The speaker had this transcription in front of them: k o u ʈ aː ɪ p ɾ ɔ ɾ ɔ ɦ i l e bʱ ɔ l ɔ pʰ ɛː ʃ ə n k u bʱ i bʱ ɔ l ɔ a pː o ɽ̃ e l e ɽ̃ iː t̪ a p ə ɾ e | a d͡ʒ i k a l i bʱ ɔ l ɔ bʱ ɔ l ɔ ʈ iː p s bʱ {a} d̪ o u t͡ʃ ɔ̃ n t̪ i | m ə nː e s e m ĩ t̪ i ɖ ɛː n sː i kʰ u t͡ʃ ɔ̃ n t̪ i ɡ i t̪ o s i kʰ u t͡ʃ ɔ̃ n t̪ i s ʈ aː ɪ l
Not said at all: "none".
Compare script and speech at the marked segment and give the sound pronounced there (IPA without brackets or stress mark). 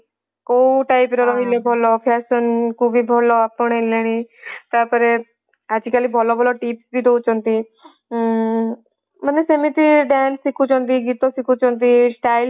i